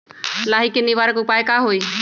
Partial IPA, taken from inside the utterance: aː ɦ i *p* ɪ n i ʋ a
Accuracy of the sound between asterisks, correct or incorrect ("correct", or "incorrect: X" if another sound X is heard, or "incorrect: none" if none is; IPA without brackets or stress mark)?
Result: incorrect: k